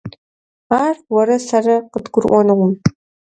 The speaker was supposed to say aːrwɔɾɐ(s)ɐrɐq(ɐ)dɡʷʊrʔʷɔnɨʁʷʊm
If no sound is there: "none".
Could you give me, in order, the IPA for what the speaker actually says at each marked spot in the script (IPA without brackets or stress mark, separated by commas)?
s, ə